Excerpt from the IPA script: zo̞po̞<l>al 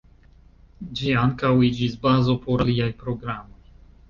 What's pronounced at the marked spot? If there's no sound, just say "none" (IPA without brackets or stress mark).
ɾ